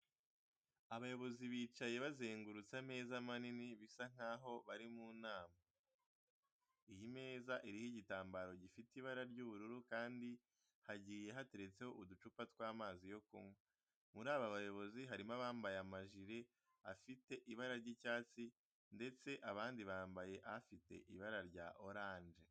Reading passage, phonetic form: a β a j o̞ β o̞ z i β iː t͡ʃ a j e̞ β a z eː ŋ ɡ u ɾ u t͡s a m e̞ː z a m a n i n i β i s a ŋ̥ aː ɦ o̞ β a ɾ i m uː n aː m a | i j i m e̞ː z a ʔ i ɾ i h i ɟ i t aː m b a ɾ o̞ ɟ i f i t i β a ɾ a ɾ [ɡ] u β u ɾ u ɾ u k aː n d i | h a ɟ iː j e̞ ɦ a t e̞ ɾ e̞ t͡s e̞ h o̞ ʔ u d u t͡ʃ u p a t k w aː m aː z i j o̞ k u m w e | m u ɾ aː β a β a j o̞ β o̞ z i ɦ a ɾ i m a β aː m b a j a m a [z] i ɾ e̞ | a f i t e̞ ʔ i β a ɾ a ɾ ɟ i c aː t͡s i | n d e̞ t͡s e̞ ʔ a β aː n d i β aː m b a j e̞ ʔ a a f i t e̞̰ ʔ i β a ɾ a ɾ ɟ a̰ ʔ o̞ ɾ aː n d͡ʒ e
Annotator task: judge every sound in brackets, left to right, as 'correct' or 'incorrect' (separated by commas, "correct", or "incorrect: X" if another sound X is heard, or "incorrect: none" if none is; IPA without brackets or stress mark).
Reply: incorrect: ɟ, incorrect: ʒ